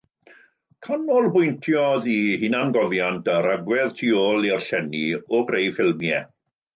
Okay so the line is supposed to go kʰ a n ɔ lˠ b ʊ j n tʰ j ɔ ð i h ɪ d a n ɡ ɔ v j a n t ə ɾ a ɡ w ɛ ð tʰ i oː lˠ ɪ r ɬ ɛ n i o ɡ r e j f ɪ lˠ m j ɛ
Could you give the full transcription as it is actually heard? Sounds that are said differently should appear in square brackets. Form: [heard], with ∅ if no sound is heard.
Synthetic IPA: kʰ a n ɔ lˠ b ʊ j n tʰ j ɔ ð i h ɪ [n] a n ɡ ɔ v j a n t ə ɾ a ɡ w ɛ ð tʰ i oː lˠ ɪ r ɬ ɛ n i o ɡ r e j f ɪ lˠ m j ɛ